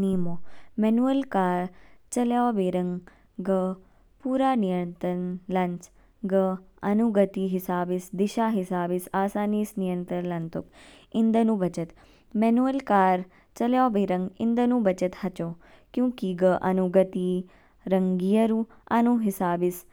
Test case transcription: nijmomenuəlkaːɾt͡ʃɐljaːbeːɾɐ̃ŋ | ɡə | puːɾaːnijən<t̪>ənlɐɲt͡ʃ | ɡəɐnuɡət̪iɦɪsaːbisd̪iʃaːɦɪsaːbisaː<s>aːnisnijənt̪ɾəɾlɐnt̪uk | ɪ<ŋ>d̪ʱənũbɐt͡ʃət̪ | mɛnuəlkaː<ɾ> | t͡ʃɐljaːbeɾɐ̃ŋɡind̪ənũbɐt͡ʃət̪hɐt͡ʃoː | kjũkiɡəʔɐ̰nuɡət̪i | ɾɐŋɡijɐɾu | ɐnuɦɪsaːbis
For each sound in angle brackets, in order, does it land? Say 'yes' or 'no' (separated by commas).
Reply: yes, yes, no, yes